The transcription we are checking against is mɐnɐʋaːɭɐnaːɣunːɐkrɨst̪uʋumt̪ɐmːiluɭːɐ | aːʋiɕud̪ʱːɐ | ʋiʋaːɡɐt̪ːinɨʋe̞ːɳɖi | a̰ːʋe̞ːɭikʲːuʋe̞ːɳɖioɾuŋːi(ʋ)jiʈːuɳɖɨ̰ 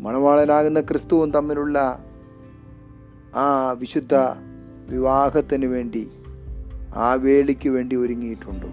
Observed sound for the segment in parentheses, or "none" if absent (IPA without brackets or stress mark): none